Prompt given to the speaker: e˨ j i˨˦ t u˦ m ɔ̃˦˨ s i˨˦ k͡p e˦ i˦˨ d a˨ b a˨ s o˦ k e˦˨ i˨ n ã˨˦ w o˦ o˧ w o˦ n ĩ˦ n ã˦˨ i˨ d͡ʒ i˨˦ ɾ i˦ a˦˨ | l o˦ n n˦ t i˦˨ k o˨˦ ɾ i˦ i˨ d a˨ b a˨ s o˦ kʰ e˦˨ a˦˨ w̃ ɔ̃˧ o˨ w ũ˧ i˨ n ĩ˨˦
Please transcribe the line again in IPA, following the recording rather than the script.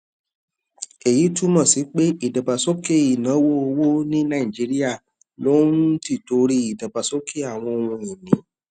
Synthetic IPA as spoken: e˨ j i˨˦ t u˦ m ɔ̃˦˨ s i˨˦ k͡p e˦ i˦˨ d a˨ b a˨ s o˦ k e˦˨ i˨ n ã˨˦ w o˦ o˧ w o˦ n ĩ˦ n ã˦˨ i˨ d͡ʒ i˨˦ ɾ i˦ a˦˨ | l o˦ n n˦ t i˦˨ t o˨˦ ɾ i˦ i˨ d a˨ b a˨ s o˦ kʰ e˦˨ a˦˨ w̃ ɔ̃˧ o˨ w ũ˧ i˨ n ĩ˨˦

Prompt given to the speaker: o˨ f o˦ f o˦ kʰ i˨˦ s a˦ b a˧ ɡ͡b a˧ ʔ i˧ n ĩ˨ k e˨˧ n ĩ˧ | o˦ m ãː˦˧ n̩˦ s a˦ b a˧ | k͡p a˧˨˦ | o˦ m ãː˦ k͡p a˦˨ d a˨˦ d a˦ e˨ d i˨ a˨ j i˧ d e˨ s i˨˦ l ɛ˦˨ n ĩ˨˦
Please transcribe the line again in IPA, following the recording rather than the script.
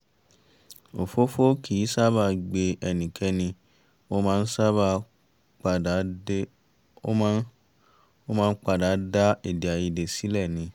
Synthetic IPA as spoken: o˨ f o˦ f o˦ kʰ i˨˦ s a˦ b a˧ ɡ͡b e˧ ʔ ɛ˧ n ĩ˨ k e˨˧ n ĩ˧ | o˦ m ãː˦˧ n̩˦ s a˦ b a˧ | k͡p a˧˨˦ | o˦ m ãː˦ k͡p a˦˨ d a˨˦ d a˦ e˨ d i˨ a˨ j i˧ d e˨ s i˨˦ l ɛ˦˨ n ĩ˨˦

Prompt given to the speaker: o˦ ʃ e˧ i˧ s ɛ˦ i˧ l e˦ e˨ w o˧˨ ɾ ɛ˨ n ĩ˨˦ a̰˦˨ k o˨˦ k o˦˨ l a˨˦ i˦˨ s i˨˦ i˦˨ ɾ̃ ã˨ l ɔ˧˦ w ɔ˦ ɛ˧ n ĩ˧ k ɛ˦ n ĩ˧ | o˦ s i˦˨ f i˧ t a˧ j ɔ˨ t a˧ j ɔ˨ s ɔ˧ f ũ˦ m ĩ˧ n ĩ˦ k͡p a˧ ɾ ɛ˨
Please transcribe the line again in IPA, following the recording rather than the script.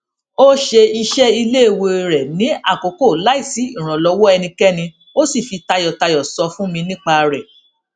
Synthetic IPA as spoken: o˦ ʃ e˧ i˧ ʃ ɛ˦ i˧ l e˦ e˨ w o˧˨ ɾ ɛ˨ n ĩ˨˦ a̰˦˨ k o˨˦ k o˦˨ l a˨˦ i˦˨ s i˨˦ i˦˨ ɾ̃ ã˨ l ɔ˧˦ w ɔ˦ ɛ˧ n ĩ˧ k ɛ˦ n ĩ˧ | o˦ s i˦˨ f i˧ t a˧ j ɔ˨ t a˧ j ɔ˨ s ɔ˧ f ũ˦ m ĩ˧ n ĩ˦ k͡p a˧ ɾ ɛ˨

